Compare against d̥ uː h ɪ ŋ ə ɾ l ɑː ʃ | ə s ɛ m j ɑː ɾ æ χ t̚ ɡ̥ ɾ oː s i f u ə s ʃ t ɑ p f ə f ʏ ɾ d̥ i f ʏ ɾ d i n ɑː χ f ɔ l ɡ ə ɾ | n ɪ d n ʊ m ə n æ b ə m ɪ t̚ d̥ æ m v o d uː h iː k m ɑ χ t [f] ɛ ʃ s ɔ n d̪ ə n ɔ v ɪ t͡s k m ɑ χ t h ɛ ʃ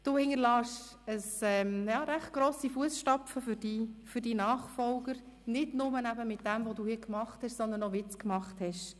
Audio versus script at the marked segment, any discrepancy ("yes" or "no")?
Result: yes